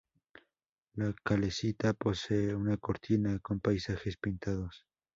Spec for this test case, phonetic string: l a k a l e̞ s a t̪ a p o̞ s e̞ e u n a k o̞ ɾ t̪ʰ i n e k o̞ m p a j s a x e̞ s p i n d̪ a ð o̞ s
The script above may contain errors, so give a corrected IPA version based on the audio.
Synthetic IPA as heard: l a k a l e̞ s i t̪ a p o̞ s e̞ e u n a k o̞ ɾ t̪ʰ i n a k o̞ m p a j s a x e̞ s p i n t̪ a ð o̞ s